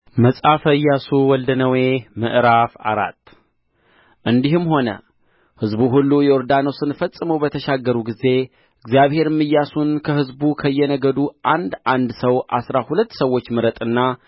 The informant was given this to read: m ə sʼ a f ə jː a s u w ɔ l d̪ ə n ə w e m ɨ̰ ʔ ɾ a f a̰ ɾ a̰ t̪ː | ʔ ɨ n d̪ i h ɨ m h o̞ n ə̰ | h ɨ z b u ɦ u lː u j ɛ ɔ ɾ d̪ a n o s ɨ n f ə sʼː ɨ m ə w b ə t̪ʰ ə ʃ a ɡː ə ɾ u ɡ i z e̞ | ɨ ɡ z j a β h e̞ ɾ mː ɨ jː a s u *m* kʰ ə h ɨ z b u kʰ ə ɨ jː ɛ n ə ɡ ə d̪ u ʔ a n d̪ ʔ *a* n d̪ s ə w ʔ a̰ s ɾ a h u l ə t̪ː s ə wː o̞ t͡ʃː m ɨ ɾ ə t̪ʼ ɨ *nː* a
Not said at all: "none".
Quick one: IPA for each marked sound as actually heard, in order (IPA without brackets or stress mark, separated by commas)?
n, a, nː